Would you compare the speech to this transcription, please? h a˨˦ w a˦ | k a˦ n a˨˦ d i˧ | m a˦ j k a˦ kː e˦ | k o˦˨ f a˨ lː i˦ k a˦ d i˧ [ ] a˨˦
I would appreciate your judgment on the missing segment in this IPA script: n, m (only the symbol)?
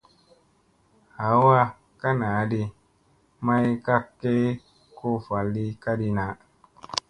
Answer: n